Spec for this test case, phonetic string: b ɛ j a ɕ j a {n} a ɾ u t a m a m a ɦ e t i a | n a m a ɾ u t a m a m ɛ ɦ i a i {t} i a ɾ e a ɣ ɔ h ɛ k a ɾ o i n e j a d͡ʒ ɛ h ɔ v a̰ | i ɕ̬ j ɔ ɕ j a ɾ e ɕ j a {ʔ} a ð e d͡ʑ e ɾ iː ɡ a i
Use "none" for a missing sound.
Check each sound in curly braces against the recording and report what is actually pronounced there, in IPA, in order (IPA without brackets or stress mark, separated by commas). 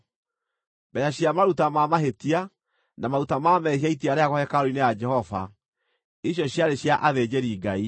m, t, ʔ